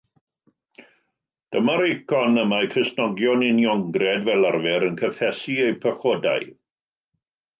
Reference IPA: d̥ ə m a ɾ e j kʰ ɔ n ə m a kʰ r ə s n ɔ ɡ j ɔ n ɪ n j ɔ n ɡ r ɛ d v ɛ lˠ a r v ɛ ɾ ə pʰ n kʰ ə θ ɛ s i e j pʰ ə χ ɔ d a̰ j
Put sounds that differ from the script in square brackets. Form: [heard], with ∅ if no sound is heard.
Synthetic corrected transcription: d̥ ə m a ɾ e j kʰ ɔ n ə m a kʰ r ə s n ɔ ɡ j ɔ n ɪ n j ɔ [ŋ] ɡ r ɛ d v ɛ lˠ a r v ɛ ɾ ə [∅] n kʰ ə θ ɛ s i e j pʰ ə χ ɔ d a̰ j